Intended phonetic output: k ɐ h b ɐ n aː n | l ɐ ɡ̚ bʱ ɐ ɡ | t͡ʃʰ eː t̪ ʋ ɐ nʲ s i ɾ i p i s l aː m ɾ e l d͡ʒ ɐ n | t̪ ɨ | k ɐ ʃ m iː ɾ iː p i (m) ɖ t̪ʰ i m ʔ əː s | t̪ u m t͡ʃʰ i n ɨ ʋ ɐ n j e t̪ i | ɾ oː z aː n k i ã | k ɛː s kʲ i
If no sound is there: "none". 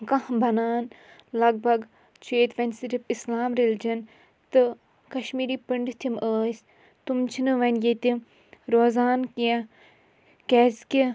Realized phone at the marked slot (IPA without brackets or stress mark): ɳ